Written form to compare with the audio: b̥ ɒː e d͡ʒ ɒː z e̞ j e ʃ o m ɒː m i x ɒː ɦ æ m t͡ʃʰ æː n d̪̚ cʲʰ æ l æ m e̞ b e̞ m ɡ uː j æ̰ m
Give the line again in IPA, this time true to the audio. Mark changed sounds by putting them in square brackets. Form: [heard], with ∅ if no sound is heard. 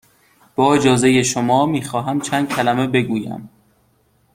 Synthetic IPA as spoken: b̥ ɒː e d͡ʒ ɒː z e̞ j e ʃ o m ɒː m [iː] x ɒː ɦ æ m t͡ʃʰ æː n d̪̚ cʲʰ æ l æ m e̞ b e̞ [∅] ɡ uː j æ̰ m